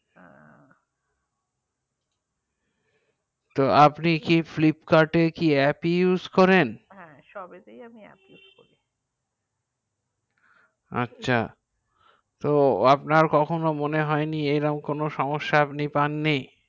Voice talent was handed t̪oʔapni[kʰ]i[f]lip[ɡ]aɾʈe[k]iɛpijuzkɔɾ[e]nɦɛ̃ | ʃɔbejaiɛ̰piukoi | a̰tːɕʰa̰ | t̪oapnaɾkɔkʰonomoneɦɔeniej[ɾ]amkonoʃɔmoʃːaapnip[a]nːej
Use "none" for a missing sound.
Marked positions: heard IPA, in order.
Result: k, f, k, k, e, ɾ, a

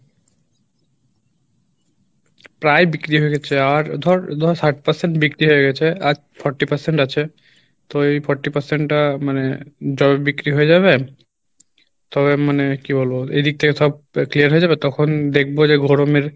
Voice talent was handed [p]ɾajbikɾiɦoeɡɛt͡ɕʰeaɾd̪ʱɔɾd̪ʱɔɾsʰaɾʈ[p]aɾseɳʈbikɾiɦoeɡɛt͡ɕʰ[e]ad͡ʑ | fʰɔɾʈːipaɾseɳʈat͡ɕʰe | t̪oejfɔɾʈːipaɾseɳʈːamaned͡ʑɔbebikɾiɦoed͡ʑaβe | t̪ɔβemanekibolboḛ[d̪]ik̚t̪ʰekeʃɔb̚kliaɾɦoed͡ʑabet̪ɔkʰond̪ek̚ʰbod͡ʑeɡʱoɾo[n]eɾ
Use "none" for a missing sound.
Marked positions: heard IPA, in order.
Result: p, p, e, d̪, m

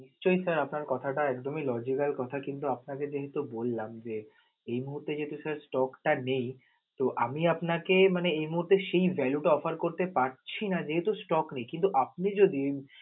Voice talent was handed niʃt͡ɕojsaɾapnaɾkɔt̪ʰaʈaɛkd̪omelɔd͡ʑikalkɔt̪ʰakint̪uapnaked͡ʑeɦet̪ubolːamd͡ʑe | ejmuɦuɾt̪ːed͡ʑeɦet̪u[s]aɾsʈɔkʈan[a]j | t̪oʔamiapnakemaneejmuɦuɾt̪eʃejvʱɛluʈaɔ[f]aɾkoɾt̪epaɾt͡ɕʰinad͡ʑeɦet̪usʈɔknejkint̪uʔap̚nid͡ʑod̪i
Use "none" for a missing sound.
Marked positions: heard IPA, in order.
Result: s, e, f

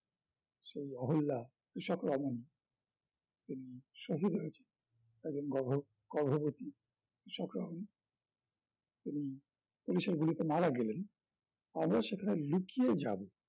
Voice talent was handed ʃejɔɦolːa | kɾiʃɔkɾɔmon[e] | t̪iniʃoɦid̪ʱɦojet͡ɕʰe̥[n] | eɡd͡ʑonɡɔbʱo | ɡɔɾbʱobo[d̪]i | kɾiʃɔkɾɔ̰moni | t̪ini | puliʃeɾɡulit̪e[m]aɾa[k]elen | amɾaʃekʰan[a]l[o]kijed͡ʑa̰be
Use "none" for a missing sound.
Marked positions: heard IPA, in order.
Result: i, n, t̪, m, ɡ, e, u

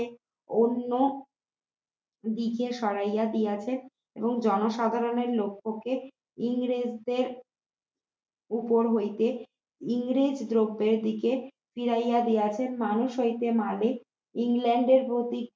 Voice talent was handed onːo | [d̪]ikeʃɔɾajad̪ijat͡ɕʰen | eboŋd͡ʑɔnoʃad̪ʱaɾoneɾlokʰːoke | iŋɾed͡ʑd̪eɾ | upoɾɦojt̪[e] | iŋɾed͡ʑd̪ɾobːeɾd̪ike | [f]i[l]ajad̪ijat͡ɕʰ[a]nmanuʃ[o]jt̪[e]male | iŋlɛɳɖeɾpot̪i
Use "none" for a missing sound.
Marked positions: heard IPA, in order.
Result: d̪, e, f, ɾ, e, o, e

